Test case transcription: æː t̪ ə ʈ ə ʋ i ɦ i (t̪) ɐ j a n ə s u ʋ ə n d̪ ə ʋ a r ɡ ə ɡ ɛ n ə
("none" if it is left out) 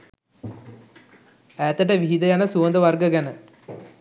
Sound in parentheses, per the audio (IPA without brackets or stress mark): d̪